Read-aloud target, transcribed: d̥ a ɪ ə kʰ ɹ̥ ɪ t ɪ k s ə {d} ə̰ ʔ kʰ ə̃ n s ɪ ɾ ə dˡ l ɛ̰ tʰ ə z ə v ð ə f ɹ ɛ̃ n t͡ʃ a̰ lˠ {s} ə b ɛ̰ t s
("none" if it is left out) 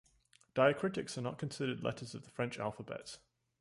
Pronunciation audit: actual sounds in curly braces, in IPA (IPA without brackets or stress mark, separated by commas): n, f